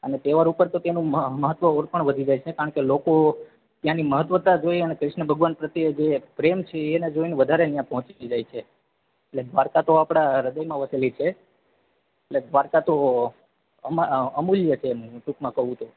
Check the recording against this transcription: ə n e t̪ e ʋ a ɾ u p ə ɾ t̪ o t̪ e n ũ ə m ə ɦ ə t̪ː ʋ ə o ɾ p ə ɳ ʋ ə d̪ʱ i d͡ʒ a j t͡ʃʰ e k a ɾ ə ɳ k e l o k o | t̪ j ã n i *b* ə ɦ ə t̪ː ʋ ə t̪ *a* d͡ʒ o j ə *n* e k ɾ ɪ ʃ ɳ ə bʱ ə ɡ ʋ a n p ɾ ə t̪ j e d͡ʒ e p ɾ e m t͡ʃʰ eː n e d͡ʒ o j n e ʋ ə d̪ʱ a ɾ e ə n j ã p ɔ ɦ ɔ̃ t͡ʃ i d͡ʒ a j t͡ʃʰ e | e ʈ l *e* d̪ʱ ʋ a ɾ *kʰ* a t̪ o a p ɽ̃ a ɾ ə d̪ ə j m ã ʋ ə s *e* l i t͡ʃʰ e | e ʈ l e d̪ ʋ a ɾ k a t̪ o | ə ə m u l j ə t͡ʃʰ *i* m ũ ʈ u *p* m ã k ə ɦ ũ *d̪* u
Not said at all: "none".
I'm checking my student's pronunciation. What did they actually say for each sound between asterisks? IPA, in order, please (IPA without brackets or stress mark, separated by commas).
m, a, n, e, k, e, e, k, t̪